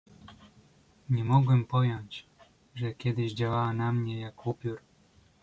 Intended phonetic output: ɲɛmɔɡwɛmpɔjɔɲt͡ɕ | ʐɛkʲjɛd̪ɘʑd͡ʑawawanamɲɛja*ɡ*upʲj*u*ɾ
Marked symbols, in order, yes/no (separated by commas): no, yes